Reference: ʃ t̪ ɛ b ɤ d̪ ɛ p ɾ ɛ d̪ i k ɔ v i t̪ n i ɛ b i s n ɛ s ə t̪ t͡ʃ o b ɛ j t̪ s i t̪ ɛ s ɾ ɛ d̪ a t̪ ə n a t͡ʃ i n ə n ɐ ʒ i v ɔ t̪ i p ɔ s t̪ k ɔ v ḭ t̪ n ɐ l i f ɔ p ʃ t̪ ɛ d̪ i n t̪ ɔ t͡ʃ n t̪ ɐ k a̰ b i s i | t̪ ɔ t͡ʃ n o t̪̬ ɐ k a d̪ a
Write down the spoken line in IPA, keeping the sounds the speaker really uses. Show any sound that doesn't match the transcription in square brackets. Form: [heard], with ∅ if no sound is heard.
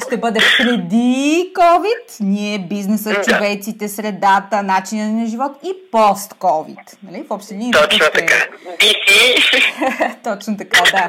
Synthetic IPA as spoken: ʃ t̪ ɛ b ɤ d̪ ɛ p ɾ ɛ d̪ i k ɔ v i t̪ n i ɛ b i [z] n ɛ s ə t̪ t͡ʃ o [v] ɛ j t̪ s i t̪ ɛ s ɾ ɛ d̪ a t̪ ə n a t͡ʃ i n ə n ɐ ʒ i v ɔ t̪ i p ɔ s t̪ k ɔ v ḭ t̪ n ɐ l i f ɔ p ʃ t̪ ɛ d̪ i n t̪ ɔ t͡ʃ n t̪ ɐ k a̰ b i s i | t̪ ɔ t͡ʃ n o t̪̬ ɐ k a d̪ a